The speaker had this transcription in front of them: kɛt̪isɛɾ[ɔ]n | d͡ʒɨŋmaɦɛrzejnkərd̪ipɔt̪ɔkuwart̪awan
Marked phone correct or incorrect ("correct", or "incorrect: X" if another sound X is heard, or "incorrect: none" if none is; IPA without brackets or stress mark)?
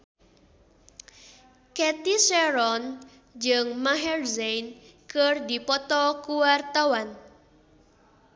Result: correct